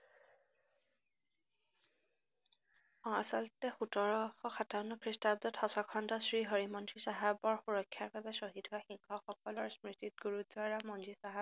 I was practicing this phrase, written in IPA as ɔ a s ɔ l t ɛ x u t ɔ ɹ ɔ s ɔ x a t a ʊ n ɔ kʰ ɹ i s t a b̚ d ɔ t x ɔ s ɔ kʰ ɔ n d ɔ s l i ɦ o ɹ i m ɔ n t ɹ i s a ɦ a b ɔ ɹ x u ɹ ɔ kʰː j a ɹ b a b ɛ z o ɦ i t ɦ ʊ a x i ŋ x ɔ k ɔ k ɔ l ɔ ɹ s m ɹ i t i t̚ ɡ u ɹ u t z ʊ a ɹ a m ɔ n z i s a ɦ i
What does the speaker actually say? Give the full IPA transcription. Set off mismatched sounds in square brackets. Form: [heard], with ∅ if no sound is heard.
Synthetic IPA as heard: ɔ a s ɔ l t ɛ x u t ɔ ɹ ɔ [x] ɔ x a t a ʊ n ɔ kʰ ɹ i s t a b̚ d ɔ t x ɔ s ɔ kʰ ɔ n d ɔ s [ɹ] i ɦ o ɹ i m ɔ n t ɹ i s a ɦ a b ɔ ɹ x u ɹ ɔ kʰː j a ɹ b a b ɛ [s] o ɦ i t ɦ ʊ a x i ŋ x ɔ [x] ɔ k ɔ l ɔ ɹ s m ɹ i t i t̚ ɡ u ɹ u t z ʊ a ɹ a m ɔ n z i s a ɦ [a]